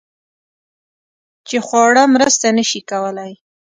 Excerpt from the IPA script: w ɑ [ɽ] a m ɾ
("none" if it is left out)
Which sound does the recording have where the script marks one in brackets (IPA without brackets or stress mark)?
ɽ